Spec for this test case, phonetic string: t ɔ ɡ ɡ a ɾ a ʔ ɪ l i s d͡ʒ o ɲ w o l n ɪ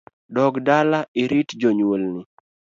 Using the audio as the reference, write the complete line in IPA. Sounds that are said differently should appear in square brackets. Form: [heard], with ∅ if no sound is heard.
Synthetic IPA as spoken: [d] ɔ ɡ [d] a [l] a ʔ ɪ [ɾ] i [t] d͡ʒ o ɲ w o l n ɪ

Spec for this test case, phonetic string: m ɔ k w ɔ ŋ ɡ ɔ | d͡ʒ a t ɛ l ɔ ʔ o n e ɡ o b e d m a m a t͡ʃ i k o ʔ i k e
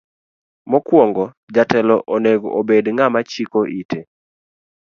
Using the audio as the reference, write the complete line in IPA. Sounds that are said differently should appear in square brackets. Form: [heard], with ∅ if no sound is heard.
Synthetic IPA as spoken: m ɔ k w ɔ ŋ ɡ ɔ | d͡ʒ a t ɛ l ɔ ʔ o n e ɡ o b e d [ŋ] a m a t͡ʃ i k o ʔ i [t] e

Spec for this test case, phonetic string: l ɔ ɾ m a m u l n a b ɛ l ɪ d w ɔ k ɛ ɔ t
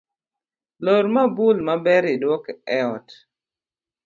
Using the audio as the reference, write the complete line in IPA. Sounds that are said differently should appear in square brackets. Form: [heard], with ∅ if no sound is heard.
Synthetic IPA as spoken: l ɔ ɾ m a [b] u l [m] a b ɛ [ɾ] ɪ d w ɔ k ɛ ɔ t

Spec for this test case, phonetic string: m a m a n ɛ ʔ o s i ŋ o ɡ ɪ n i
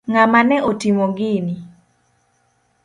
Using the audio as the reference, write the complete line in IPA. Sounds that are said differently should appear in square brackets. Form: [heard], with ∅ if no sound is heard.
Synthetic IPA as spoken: [ŋ] a m a n ɛ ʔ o [t] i [m] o ɡ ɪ n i

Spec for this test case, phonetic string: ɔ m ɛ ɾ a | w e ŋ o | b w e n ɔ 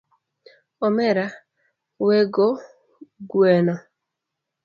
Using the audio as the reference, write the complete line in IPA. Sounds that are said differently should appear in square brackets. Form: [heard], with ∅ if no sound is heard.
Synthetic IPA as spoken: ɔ m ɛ ɾ a | w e [ɡ] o | [ɡ] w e n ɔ

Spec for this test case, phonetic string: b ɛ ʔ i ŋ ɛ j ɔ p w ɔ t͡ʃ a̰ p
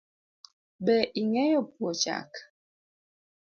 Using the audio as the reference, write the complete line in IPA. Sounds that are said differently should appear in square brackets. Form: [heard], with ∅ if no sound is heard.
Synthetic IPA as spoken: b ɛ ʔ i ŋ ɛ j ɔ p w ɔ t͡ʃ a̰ [k]

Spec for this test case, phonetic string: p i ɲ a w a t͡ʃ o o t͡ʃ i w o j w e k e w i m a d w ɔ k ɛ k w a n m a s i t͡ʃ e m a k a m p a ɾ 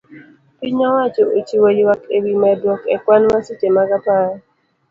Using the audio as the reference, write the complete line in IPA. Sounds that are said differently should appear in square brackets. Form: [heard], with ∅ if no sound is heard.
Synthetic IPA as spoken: p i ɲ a w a t͡ʃ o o t͡ʃ i w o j w [a] k e w i m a d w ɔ k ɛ k w a n m a s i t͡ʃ e m a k a [∅] p a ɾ

